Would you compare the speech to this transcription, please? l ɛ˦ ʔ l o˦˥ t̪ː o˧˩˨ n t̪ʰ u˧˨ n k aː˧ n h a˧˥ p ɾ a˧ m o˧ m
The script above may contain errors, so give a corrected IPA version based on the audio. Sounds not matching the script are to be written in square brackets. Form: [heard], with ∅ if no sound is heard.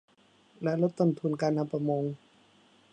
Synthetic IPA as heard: l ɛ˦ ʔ l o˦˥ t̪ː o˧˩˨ n t̪ʰ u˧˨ n k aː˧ n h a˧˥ p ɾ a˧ m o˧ [ŋ]